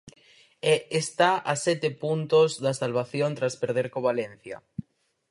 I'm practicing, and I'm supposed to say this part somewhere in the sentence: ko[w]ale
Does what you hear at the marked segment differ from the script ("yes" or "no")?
yes